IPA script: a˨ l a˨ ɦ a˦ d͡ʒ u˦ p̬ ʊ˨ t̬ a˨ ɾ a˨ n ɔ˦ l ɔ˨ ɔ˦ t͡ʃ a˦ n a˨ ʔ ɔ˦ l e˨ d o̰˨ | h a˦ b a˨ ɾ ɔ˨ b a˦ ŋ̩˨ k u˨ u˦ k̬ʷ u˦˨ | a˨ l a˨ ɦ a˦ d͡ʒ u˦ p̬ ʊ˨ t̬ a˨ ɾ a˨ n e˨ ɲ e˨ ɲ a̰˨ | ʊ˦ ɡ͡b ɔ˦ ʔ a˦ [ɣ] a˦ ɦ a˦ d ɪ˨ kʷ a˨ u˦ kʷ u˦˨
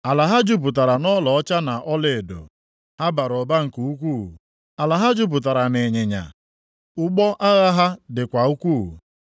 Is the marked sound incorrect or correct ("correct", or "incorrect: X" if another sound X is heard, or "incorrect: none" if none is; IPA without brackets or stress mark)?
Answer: correct